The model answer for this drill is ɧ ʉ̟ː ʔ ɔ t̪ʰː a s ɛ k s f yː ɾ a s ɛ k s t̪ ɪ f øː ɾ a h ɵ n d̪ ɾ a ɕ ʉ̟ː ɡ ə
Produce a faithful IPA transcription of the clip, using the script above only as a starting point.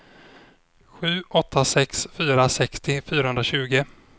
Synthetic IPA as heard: ɧ ʉ̟ː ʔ ɔ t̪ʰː a s ɛ k s f yː ɾ a s ɛ k s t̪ ɪ f yː ɾ a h ɵ n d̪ ɾ a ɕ ʉ̟ː ɡ ə